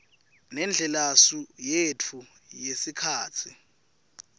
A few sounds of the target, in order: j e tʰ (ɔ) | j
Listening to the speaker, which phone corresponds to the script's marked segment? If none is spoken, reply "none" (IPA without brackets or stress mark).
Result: u